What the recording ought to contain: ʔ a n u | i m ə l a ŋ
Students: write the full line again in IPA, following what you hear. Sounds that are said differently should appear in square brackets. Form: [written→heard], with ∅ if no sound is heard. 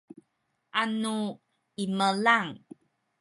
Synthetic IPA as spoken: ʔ a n u | i m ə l a ŋ

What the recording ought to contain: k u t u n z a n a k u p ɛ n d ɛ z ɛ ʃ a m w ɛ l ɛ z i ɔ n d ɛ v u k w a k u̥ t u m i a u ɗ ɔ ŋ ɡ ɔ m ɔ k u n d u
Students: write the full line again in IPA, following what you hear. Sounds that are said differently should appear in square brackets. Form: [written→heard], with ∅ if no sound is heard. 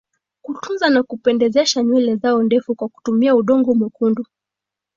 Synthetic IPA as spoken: k u t u n z a n a k u p ɛ n d ɛ z ɛ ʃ a [m→ɲ] w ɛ l ɛ z [i→a] ɔ n d ɛ [v→f] u k w a k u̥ t u m i a u ɗ ɔ ŋ ɡ ɔ m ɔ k u n d u

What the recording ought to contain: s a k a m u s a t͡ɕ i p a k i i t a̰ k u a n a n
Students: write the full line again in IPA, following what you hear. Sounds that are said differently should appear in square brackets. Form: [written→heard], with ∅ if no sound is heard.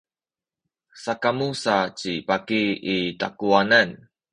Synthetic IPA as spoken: s a k a m u s a t͡ɕ i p a k i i t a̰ k u a n a n

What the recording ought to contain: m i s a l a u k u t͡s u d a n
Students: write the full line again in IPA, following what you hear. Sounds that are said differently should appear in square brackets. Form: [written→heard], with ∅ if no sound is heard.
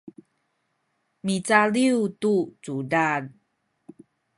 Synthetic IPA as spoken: m i [s→t͡s] a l [a→i] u [k→t] u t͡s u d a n

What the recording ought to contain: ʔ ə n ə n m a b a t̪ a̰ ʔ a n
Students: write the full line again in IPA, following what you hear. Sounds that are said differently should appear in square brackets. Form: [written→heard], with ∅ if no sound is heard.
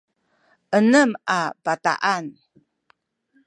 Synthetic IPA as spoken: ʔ ə n ə [n→∅] m a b a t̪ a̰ ʔ a n

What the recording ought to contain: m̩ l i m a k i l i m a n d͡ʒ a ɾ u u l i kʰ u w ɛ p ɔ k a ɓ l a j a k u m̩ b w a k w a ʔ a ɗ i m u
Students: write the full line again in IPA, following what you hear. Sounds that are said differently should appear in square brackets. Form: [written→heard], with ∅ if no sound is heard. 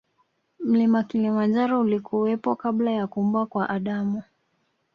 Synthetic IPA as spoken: m̩ l i m a k i l i m a n d͡ʒ a ɾ [u→ɔ] u l i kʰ u w ɛ p ɔ k a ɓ l a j a k u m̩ b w a k w a ʔ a ɗ [i→a] m u

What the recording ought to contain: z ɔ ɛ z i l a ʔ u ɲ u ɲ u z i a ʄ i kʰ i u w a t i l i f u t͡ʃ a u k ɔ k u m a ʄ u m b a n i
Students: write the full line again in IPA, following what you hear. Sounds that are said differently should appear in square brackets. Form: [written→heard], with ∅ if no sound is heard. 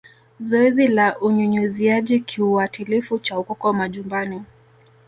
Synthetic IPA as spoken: z ɔ ɛ z i l a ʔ u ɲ u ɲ u z i a ʄ i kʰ i u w a t i l i f u t͡ʃ a u k ɔ k [u→ɔ] m a ʄ u m b a n i

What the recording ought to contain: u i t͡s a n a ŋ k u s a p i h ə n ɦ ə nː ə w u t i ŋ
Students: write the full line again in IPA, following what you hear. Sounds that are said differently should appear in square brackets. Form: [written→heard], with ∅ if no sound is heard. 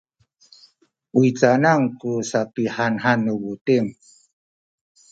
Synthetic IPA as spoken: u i t͡s a n a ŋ k u s a p i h [ə→a] n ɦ [ə→a] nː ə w u t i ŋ

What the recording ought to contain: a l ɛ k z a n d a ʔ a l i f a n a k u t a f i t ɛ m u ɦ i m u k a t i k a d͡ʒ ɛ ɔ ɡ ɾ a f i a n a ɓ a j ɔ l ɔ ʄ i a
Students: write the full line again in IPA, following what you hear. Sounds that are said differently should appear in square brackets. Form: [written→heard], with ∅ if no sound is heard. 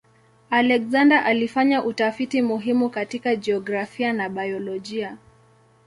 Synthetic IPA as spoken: a l ɛ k z a n d a ʔ a l i f a [n→ɲ] a [k→ʔ] u t a f i t [ɛ→i] m u ɦ i m u k a t i k a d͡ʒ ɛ ɔ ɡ ɾ a f i a n a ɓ a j ɔ l ɔ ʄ i a

